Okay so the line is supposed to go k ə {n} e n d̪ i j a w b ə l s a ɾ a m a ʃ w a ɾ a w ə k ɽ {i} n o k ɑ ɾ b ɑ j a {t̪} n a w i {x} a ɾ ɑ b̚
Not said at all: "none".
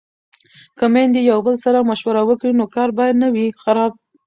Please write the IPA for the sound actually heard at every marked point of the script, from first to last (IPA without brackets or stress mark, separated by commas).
m, i, d̪, x